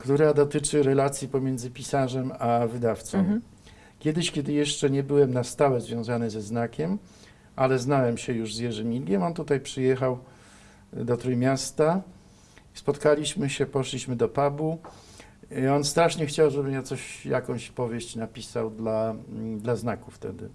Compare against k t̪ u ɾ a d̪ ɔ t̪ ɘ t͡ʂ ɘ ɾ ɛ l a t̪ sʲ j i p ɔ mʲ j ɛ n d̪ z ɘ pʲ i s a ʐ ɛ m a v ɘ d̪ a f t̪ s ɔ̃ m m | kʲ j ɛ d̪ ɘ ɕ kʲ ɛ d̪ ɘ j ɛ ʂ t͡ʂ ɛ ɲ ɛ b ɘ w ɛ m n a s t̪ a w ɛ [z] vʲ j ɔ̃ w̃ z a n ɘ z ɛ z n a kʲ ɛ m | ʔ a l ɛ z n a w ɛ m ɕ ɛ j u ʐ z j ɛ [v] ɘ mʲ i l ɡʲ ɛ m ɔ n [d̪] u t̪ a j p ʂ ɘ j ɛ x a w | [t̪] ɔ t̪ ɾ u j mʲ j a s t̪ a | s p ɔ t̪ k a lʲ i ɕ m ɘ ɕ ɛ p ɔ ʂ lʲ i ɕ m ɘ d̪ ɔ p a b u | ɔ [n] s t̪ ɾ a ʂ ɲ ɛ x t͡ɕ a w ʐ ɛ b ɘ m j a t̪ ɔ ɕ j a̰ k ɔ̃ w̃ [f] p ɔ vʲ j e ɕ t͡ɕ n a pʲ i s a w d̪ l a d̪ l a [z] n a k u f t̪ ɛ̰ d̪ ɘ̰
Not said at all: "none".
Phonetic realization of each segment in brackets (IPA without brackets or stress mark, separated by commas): z, ʐ, t̪, d̪, n, ɕ, z